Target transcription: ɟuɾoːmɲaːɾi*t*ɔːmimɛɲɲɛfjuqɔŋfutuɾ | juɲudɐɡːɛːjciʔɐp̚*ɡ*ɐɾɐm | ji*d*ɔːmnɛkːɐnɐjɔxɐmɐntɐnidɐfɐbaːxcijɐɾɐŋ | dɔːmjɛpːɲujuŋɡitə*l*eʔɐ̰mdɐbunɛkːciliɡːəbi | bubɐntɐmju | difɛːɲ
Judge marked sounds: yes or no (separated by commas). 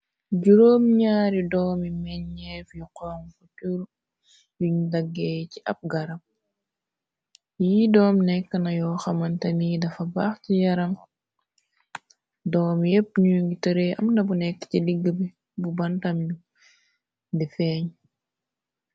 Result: no, yes, yes, no